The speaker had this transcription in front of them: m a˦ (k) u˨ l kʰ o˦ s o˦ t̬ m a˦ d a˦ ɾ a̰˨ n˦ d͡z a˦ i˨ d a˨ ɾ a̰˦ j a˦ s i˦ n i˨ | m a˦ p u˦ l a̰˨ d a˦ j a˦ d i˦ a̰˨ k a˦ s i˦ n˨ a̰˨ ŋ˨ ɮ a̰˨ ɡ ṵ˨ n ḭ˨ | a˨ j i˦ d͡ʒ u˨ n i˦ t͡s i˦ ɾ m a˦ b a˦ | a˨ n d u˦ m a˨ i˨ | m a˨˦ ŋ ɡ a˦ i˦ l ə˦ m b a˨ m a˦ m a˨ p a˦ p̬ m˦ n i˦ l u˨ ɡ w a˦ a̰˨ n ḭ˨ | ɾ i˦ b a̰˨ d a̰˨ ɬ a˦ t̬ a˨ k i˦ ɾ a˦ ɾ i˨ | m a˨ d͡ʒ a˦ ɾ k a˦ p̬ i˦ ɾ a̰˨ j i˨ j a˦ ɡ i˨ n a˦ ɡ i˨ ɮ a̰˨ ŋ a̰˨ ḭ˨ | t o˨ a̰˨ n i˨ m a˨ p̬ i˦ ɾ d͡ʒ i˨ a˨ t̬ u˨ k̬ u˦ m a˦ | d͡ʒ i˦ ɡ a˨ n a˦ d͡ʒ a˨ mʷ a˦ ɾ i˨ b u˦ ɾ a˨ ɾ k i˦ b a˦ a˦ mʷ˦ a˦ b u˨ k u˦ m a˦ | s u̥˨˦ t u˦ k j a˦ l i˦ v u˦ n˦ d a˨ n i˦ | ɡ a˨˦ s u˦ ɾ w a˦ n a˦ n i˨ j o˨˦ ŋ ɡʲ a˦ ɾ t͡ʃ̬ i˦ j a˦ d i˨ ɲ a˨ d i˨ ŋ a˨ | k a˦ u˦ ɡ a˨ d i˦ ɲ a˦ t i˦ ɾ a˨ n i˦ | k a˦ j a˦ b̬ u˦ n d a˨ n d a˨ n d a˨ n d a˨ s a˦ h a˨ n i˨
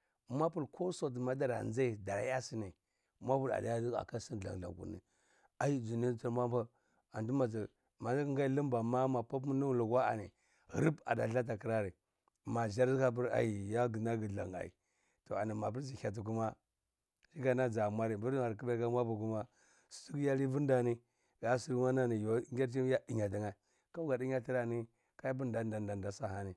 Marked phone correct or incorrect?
incorrect: p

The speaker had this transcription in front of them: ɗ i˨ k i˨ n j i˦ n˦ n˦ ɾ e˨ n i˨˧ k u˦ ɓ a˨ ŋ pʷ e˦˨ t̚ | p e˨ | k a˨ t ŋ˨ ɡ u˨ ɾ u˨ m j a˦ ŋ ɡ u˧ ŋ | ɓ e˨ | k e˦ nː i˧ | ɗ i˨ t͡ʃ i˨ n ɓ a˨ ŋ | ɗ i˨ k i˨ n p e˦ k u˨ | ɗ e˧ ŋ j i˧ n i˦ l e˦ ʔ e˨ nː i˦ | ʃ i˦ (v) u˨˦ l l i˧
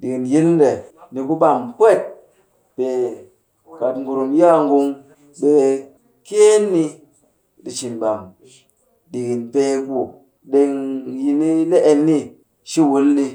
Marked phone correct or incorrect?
incorrect: w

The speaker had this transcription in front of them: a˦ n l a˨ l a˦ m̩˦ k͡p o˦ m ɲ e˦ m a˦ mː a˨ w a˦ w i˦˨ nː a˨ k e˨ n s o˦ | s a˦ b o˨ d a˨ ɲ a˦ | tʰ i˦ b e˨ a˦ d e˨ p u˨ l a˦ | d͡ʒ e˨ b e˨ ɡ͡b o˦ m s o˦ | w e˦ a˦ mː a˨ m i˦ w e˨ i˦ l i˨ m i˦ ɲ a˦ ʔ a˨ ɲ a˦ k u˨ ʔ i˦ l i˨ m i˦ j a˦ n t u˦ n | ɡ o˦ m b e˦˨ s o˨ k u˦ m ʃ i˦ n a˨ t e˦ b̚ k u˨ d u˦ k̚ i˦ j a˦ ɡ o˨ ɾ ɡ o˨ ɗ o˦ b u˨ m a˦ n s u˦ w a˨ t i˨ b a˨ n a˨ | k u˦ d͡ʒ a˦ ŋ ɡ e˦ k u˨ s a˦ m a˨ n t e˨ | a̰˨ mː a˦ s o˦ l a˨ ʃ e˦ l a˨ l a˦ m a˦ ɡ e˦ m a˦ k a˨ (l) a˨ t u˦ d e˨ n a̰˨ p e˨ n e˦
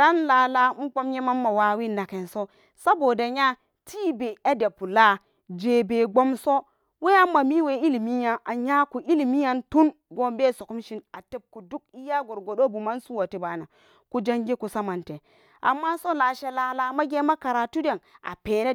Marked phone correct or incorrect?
incorrect: ɾ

